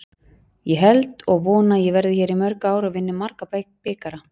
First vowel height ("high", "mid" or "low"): mid